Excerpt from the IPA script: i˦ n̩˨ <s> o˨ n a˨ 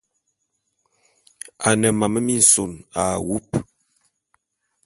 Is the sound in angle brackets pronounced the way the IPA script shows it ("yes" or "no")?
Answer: yes